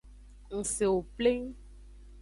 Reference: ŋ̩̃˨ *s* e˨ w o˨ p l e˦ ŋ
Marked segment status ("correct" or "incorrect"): correct